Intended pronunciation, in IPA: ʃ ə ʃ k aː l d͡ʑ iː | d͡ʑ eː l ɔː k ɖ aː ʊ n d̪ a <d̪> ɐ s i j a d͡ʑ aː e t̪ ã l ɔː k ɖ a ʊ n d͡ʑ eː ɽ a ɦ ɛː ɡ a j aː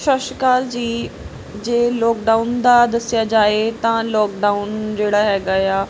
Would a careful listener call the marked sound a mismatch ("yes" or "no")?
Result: no